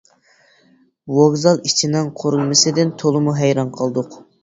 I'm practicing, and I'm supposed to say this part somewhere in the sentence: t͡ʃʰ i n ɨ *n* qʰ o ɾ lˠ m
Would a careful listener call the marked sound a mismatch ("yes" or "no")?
yes